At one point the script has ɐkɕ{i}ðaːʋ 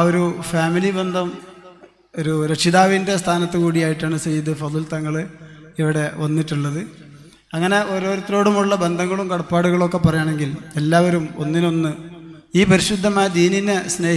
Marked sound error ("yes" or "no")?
no